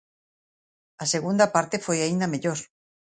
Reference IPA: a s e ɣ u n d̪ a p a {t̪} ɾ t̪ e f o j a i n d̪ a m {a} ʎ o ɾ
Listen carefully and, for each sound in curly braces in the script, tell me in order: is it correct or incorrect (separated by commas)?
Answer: incorrect, incorrect